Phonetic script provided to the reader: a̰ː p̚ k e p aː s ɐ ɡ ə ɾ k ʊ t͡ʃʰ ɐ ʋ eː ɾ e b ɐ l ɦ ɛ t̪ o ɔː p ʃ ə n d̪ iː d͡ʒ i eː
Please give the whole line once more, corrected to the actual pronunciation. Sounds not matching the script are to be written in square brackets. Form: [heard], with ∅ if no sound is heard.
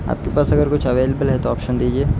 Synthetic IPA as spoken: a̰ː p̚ k e p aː s ɐ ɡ ə ɾ k ʊ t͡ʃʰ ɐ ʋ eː [l] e b [ə] l ɦ ɛ t̪ o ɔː p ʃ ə n d̪ iː d͡ʒ i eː